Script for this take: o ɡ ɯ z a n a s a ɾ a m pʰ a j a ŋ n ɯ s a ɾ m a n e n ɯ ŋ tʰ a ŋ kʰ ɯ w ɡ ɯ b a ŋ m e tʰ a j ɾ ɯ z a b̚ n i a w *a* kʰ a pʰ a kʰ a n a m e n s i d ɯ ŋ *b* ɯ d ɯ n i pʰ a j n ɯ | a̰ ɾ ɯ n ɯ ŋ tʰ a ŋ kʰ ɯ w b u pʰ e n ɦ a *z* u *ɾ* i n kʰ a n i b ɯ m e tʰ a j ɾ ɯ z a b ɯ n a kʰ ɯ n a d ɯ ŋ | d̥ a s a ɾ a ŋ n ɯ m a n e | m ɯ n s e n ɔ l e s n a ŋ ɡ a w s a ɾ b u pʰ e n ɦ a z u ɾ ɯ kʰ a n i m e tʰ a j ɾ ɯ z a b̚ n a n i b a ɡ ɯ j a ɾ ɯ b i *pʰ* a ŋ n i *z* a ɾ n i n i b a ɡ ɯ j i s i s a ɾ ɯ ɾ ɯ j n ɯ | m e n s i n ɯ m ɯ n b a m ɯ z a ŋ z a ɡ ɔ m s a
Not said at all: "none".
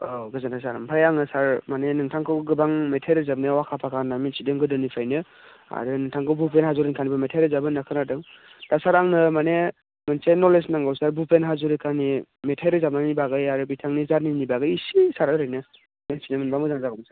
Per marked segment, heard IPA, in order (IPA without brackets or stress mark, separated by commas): a, ɡ, z, ɾ, tʰ, z